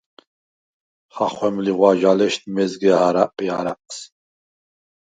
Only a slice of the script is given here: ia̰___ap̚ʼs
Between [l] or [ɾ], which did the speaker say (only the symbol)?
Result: ɾ